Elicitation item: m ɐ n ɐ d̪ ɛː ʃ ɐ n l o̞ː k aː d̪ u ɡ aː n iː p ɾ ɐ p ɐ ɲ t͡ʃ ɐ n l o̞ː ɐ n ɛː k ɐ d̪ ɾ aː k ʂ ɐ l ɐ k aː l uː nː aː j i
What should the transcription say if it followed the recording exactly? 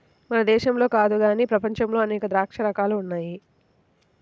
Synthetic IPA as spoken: m ɐ n ɐ d̪ ɛː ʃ ɐ m l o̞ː k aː d̪ u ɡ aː n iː p ɾ ɐ p ɐ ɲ t͡ʃ ɐ m l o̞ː ɐ n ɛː k ɐ d̪ ɾ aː k ʂ ɐ ɾ ɐ k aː l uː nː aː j i

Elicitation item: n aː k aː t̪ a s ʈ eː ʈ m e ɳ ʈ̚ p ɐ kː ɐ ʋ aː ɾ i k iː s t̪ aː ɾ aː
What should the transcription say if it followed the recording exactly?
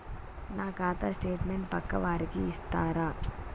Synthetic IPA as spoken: n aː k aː t̪ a s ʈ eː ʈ m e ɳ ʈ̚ p ɐ kː ɐ ʋ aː ɾ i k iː s t̪ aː ɾ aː

